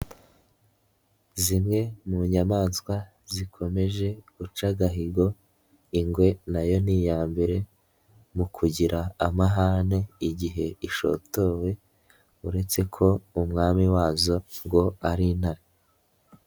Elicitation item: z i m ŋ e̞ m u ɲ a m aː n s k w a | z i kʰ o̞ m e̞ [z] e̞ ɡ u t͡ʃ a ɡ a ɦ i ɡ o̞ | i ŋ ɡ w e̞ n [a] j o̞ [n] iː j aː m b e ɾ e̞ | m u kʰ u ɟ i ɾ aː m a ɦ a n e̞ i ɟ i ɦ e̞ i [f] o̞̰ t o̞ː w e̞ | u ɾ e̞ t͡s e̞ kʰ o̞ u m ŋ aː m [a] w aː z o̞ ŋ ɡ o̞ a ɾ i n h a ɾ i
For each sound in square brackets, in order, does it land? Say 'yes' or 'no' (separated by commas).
no, yes, yes, no, no